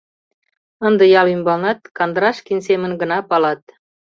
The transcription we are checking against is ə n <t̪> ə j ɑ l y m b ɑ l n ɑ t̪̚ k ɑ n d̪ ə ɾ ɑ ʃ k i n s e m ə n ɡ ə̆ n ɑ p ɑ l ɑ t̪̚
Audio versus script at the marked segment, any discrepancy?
yes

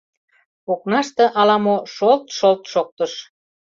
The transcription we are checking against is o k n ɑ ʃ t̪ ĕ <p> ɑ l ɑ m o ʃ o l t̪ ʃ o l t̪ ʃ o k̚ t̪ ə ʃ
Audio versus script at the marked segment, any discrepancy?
yes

